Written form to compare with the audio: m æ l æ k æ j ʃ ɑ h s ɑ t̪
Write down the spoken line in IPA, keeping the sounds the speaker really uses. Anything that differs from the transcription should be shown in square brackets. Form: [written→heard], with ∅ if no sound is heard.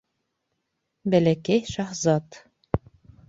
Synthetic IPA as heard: [m→b] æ l æ k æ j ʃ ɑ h [s→z] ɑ t̪